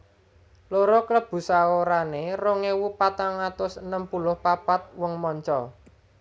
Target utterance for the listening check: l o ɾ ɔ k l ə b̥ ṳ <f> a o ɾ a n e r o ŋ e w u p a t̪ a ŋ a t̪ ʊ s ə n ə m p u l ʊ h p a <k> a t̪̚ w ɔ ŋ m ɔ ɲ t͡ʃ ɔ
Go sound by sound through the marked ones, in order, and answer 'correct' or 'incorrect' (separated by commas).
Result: incorrect, incorrect